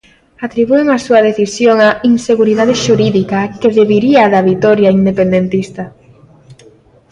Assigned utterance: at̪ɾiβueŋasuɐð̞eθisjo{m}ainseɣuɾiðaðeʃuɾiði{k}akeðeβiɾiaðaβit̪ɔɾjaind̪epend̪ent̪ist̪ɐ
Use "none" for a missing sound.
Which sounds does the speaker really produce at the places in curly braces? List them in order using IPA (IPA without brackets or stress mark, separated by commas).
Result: ŋ, k